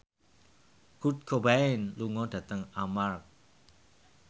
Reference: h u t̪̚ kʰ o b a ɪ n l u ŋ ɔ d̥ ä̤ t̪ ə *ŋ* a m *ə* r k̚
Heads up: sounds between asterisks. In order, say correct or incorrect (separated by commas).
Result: correct, incorrect